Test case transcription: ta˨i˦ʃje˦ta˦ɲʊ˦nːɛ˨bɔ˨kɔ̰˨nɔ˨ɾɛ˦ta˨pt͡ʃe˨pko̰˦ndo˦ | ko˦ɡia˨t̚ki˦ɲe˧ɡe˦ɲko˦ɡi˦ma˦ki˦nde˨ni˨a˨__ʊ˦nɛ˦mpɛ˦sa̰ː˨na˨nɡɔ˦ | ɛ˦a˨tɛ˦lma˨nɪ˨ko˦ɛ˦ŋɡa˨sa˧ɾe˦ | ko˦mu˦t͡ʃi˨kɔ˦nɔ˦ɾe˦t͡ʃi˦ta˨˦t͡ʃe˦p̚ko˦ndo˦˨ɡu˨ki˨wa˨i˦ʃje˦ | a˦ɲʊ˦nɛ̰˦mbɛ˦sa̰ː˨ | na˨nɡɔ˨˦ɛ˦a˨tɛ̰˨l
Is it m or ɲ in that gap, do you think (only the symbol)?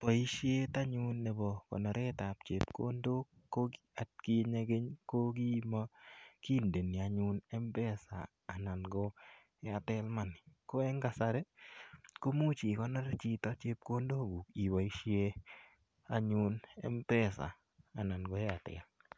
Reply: ɲ